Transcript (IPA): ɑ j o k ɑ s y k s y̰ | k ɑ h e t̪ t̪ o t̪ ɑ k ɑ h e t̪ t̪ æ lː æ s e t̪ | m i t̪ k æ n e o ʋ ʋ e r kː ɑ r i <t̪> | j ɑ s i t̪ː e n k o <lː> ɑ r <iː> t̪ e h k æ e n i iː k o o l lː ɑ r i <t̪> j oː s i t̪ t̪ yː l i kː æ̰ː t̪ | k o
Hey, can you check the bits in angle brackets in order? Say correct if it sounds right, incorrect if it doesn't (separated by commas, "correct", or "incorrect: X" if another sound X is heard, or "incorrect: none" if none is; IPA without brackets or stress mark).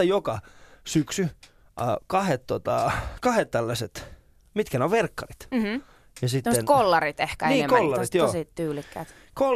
correct, correct, incorrect: i, correct